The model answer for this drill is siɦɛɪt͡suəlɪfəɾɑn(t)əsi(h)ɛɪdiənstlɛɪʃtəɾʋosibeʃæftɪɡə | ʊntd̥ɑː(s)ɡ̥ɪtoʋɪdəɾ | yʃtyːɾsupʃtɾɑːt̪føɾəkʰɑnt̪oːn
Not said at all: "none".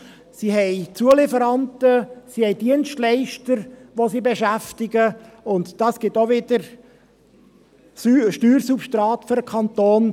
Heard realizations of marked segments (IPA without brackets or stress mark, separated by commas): t, h, s